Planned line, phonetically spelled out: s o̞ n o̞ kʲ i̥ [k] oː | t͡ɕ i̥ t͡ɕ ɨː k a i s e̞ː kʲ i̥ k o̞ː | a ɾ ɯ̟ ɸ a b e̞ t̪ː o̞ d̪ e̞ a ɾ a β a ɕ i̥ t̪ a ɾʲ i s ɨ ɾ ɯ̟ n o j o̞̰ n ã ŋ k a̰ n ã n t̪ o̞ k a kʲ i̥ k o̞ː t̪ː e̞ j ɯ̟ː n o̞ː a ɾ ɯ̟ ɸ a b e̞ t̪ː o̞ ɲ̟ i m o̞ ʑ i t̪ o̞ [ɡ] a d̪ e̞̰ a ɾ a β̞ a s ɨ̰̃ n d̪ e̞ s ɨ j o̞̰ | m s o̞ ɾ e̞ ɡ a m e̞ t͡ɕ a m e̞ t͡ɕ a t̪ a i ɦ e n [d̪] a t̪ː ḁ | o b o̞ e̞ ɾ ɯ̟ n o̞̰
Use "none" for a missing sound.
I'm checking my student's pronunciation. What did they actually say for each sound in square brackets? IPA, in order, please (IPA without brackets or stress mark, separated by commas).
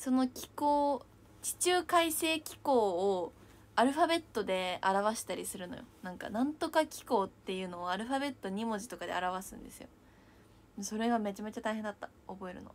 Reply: k, k, d̪